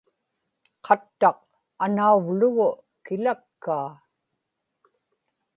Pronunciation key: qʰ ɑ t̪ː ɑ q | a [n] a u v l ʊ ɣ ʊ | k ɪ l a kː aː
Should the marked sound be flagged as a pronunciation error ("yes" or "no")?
no